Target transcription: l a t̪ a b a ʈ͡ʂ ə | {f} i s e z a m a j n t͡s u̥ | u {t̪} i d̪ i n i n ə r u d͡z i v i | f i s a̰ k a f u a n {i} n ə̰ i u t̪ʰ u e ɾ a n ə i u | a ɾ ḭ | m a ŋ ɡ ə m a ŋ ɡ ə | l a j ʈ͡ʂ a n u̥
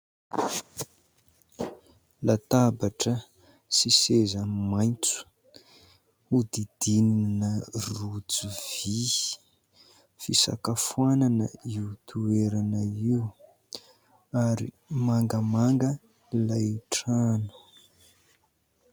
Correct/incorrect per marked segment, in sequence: incorrect: s, incorrect: d̪, incorrect: a

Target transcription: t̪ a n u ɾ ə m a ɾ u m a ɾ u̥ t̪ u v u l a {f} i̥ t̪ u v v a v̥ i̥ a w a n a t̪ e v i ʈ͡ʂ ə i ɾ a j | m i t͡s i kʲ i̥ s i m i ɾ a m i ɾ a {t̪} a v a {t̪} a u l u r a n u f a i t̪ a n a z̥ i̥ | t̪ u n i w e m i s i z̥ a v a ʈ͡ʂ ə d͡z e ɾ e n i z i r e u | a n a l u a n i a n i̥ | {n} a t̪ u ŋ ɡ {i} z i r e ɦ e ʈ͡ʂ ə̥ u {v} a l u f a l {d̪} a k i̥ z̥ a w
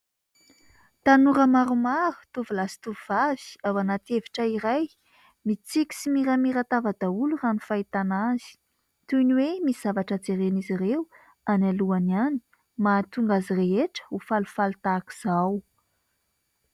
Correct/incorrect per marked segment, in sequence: incorrect: s, correct, incorrect: d̪, incorrect: m, incorrect: a, incorrect: f, incorrect: t̪

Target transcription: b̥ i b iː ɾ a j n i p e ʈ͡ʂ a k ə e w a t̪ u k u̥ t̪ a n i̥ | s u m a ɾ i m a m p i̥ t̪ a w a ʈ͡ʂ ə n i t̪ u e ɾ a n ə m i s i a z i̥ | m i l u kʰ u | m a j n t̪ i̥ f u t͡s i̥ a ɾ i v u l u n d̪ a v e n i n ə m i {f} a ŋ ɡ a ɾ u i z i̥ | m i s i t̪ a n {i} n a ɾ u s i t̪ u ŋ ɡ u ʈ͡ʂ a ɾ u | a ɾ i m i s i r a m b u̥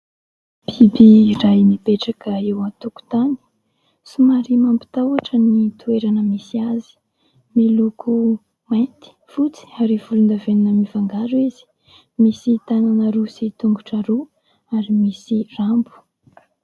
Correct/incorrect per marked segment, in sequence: incorrect: v, incorrect: a

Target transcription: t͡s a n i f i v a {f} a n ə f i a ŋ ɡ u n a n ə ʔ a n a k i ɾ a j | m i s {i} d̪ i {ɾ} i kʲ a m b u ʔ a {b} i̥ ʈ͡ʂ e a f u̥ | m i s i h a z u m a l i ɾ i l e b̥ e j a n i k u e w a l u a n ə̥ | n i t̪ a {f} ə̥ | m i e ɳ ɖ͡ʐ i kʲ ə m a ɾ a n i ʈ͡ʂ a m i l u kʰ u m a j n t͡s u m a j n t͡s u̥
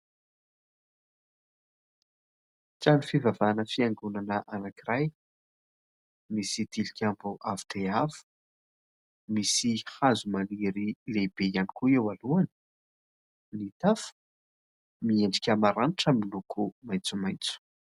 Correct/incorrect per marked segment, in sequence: incorrect: v, correct, incorrect: l, incorrect: v, correct

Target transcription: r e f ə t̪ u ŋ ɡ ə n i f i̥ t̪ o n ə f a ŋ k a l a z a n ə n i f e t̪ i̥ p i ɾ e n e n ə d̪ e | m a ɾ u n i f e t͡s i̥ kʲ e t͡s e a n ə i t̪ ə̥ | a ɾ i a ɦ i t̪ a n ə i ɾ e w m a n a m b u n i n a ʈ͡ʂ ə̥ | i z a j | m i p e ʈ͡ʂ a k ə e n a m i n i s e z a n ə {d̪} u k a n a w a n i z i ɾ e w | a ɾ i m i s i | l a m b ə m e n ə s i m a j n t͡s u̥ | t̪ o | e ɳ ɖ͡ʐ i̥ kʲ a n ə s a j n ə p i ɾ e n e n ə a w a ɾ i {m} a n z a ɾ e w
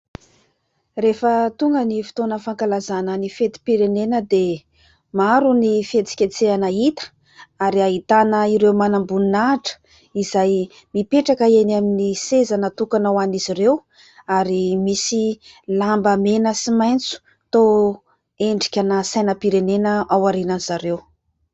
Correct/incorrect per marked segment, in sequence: incorrect: t̪, incorrect: n

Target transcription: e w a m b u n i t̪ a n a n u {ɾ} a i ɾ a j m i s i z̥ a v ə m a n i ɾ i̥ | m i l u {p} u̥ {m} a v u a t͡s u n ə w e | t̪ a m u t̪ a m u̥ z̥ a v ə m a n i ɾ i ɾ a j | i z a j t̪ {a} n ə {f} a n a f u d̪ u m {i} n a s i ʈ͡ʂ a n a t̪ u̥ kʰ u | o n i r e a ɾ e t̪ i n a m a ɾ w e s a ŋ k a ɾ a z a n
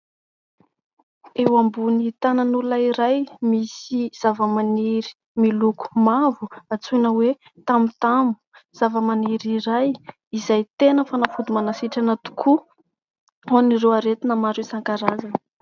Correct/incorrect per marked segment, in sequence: incorrect: l, incorrect: k, correct, incorrect: e, correct, incorrect: a

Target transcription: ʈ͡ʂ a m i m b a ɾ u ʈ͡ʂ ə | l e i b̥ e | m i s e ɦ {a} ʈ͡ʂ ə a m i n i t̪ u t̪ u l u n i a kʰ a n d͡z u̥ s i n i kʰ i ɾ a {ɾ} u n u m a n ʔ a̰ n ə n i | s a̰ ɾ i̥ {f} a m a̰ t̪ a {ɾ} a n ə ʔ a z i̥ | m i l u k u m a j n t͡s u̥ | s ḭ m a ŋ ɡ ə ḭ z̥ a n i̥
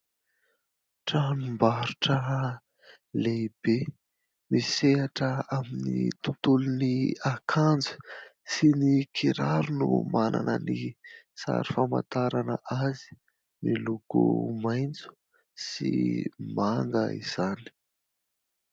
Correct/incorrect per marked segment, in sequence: correct, correct, correct, correct

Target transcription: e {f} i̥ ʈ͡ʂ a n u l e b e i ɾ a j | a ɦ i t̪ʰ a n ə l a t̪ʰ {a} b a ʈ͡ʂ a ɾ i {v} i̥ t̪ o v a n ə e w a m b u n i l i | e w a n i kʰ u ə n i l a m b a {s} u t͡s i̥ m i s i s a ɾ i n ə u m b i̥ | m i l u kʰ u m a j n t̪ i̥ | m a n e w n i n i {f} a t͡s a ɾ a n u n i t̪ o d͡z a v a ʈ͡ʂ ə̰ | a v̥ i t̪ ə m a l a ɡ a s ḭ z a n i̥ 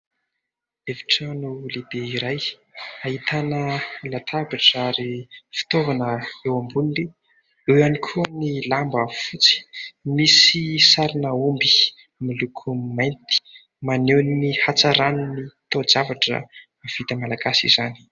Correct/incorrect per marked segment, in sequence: incorrect: v, correct, incorrect: f, incorrect: f, incorrect: h

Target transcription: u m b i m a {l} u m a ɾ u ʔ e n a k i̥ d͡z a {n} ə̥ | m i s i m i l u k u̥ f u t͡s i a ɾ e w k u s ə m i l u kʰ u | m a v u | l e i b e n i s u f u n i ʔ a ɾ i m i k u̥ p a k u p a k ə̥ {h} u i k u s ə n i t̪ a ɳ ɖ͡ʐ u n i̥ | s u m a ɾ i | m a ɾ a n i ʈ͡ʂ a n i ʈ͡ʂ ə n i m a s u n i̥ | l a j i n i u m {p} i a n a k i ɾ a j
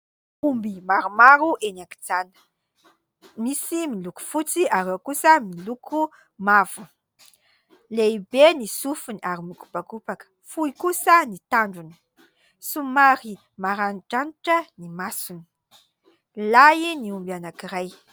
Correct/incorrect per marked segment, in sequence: incorrect: ɾ, correct, incorrect: f, incorrect: b

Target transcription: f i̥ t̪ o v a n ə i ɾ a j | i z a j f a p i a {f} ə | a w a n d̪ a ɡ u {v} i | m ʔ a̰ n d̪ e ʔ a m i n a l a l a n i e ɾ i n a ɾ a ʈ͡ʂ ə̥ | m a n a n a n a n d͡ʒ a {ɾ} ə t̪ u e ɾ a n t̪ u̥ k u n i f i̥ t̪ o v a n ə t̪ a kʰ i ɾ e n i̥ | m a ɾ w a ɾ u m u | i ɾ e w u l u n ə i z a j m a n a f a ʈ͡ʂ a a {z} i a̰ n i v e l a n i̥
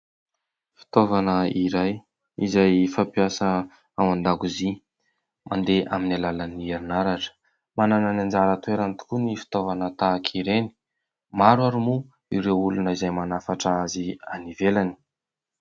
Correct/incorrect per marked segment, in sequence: incorrect: s, incorrect: z, correct, correct

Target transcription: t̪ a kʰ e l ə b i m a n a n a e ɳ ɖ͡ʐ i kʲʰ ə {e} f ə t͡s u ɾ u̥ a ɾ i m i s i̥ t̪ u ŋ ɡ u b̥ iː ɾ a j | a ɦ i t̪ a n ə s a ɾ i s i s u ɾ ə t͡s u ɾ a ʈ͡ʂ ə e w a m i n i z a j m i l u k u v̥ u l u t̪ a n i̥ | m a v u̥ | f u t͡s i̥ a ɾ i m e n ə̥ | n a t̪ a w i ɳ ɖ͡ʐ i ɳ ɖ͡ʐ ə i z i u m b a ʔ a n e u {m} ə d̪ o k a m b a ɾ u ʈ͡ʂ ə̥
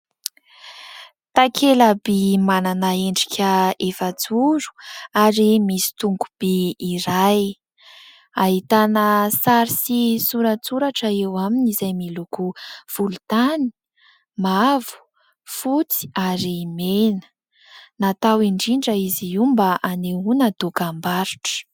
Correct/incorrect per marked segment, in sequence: correct, incorrect: n

